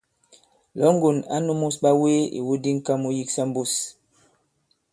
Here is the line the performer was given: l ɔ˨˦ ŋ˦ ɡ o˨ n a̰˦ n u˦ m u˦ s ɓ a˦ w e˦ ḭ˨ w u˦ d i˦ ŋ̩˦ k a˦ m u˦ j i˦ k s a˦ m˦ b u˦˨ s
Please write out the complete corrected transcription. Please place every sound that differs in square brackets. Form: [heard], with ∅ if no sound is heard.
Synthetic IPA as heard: l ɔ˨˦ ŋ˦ ɡ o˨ n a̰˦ n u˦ m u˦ s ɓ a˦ w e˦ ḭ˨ w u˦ d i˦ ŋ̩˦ k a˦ m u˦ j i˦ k s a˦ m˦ b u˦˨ s